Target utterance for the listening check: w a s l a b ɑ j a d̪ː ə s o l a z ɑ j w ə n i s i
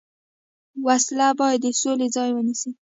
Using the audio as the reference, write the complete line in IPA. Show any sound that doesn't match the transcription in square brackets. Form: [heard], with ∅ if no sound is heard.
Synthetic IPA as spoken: w a s l a b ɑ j a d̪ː ə s o l [e] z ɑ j w ə n i s i